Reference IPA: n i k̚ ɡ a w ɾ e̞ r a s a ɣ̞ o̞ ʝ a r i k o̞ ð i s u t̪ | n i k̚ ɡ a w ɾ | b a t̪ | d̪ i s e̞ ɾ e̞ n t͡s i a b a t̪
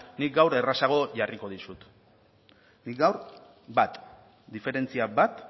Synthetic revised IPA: n i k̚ ɡ a w ɾ e̞ r a s a ɣ̞ o̞ ʝ a r i k o̞ ð i s u t̪ | n i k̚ ɡ a w ɾ | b a t̪ | d̪ i f e̞ ɾ e̞ n t͡s i a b a t̪

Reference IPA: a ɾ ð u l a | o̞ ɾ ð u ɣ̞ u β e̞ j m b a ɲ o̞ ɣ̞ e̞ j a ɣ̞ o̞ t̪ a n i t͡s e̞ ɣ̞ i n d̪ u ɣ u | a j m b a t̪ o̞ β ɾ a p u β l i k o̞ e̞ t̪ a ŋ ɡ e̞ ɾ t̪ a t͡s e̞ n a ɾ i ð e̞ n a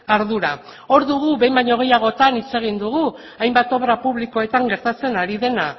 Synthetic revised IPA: a ɾ ð u ɾ a | o̞ ɾ ð u ɣ̞ u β e̞ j m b a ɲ o̞ ɣ̞ e̞ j a ɣ̞ o̞ t̪ a n i t͡s e̞ ɣ̞ i n d̪ u ɣ u | a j m b a t̪ o̞ β ɾ a p u β l i k o̞ e̞ t̪ a ŋ ɡ e̞ ɾ t̪ a t͡s e̞ n a ɾ i ð e̞ n a

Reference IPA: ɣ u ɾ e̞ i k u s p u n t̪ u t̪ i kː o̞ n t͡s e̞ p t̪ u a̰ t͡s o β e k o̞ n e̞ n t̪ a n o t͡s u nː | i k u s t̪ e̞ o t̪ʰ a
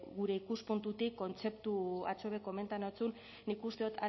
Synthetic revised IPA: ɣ u ɾ e̞ i k u s p u n t̪ u t̪ i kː o̞ n t͡s e̞ p t̪ u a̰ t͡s o β e k o̞ m e̞ n t̪ a n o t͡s u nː | i k u s t̪ e̞ o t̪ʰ a

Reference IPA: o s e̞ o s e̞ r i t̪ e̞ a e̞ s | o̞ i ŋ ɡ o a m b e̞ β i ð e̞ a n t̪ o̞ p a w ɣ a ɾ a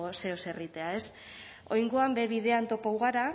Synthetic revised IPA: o s e̞ o s e̞ r i t̪ e̞ a e̞ s | o̞ j ŋ ɡ o a m b e̞ β i ð e̞ a n t̪ o̞ p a w ɣ a ɾ a

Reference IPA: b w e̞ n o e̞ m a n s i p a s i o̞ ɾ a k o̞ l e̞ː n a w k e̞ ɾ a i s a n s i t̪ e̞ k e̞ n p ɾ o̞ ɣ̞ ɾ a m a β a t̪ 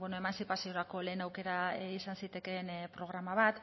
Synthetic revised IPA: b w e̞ n o e̞ m a n s i p a s i o̞ ɾ a k o̞ l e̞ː n a w k e̞ ɾ a i s a n s i t̪ e̞ k e̞ n p ɾ o̞ ɣ̞ ɾ a m a β a t̪

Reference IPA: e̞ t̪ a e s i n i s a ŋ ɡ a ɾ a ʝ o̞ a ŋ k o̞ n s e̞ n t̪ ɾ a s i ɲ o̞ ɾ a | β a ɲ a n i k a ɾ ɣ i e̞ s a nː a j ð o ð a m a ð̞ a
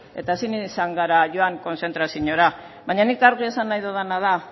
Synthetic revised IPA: e̞ t̪ a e s i n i s a ŋ ɡ a ɾ a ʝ o̞ a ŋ k o̞ n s e̞ n t̪ ɾ a s i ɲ o̞ ɾ a | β a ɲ a n i k a ɾ ɣ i e̞ s a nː a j ð o ð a n a ð̞ a

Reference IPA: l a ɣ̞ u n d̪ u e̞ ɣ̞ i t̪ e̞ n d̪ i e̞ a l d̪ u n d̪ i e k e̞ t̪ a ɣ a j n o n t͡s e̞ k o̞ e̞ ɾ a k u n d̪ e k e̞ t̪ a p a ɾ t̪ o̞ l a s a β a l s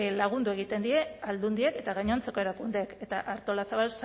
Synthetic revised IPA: l a ɣ̞ u n d̪ u e̞ ɣ̞ i t̪ e̞ n d̪ i e̞ a l d̪ u n d̪ i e k e̞ t̪ a ɣ a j ɲ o n t͡s e̞ k o̞ e̞ ɾ a k u n d̪ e k e̞ t̪ a ʔ a ɾ t̪ o̞ l a s a β a l s

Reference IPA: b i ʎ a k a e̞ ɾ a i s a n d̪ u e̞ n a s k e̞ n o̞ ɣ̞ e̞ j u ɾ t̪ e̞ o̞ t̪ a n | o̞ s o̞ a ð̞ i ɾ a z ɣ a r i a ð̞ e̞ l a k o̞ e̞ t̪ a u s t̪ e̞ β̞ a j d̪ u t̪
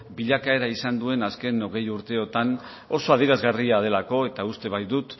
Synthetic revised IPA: b i ʎ a k a e̞ ɾ a i s a n d̪ u e̞ n a s k e̞ n o̞ ɣ̞ e̞ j u ɾ t̪ e̞ o̞ t̪ a n | o̞ s o̞ a ð̞ i ɾ a z ɣ a r i a ð̞ e̞ l a k o̞ e̞ t̪ a u s t̪ e̞ β̞ a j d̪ u t̪

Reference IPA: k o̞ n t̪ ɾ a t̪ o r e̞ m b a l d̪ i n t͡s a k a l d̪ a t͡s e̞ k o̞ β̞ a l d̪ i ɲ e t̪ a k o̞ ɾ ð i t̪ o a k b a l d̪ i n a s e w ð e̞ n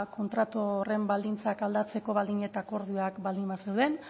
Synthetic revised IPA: k o̞ n t̪ ɾ a t̪ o r e̞ m b a l d̪ i n t͡s a k a l d̪ a t͡s e̞ k o̞ β̞ a l d̪ i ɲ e t̪ a k o̞ ɾ ð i o a k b a l d̪ i m a s e w ð e̞ n

